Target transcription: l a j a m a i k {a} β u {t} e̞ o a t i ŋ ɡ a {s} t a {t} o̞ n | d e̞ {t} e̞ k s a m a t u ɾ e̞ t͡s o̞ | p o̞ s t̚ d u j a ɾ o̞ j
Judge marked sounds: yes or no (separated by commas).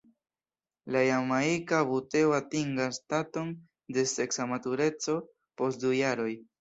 yes, yes, yes, yes, no